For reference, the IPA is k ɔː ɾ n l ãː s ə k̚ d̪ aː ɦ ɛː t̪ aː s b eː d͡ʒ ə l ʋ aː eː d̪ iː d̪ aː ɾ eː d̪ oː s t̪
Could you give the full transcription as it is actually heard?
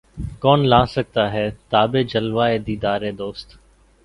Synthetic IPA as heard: k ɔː n l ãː s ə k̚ t̪ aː ɦ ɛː t̪ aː b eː d͡ʒ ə l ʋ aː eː d̪ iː d̪ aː ɾ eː d̪ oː s t̪